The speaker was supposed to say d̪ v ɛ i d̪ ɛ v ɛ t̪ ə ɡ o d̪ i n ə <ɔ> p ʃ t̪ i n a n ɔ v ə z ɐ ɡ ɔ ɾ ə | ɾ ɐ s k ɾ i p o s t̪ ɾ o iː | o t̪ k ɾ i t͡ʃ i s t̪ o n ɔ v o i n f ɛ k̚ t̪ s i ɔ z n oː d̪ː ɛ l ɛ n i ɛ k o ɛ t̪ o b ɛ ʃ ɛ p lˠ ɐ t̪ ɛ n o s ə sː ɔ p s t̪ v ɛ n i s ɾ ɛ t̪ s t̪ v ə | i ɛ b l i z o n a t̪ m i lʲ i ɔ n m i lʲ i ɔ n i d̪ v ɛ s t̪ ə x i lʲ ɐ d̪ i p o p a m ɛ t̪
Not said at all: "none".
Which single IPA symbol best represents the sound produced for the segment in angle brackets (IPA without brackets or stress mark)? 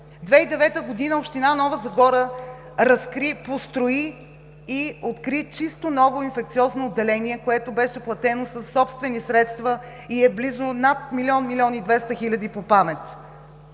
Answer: o